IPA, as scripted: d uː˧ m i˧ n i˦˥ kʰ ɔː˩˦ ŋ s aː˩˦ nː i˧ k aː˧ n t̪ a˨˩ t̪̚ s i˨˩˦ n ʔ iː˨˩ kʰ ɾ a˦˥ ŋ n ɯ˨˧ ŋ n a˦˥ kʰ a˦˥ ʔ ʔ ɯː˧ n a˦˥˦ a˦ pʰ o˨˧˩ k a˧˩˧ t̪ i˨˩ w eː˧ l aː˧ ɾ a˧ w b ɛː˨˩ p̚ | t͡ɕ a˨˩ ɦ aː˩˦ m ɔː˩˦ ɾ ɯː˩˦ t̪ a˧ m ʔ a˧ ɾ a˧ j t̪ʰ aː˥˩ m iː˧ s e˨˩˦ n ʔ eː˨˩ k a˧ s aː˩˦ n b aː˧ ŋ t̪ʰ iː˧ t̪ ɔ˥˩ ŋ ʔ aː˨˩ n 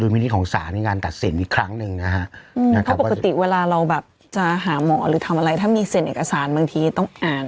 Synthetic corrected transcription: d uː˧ m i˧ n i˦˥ kʰ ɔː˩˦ ŋ s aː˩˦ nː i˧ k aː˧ n t̪ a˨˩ t̪̚ s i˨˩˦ n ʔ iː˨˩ kʰ ɾ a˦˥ ŋ n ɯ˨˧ ŋ n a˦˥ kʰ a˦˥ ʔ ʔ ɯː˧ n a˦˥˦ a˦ p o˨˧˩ k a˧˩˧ t̪ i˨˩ w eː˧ l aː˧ ɾ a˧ w b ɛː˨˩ p̚ | t͡ɕ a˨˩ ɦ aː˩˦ m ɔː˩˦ ɾ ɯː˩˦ t̪ʰ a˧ m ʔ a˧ ɾ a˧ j t̪ʰ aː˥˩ m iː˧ s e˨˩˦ n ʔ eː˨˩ k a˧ s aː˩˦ n b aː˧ ŋ t̪ʰ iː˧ t̪ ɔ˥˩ ŋ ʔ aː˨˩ n